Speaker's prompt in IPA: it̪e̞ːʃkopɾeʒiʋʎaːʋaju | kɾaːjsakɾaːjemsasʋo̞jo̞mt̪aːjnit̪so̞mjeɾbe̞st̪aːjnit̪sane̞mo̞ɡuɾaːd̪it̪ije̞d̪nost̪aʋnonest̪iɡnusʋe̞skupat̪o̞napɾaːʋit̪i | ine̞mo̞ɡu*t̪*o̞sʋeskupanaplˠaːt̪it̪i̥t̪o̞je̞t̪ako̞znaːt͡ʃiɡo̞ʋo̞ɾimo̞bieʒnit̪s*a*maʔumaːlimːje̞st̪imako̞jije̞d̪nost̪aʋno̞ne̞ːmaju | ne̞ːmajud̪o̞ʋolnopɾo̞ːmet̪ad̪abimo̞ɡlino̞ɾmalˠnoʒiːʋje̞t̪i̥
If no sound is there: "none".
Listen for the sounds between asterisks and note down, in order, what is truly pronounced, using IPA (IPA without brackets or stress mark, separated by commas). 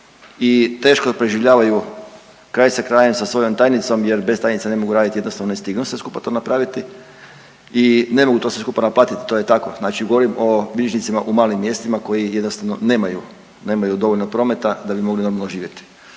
t̪, i